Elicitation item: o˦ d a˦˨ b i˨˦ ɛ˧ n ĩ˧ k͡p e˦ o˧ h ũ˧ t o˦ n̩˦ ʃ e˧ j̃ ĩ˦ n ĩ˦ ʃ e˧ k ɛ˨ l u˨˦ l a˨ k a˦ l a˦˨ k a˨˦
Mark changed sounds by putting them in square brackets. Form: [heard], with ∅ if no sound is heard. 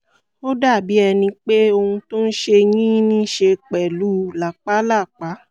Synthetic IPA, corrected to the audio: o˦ d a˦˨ b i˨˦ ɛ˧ n ĩ˧ k͡p e˦ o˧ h ũ˧ t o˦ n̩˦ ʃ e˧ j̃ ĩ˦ n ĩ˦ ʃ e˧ [k͡p] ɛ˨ l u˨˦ l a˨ [k͡p] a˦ l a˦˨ [k͡p] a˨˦